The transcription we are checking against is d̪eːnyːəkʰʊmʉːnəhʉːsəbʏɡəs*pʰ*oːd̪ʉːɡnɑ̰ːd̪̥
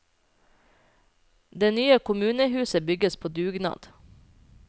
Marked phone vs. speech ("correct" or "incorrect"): correct